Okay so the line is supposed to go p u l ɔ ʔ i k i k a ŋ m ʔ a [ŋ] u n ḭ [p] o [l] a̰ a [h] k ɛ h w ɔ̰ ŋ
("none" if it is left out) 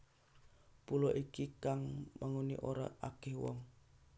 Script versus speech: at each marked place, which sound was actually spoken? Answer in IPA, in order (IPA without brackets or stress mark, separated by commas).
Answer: ŋ, ʔ, ɾ, none